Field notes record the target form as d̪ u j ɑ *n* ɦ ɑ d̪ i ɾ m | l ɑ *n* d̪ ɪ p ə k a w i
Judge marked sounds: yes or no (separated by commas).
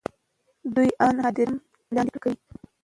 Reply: yes, yes